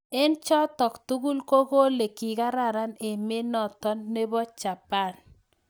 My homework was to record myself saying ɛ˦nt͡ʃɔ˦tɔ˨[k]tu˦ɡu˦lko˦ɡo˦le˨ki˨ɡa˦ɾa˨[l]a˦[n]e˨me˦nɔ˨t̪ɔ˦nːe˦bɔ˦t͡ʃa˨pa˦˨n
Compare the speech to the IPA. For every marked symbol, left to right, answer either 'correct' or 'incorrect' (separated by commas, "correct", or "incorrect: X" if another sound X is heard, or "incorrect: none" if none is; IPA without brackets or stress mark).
correct, incorrect: ɾ, correct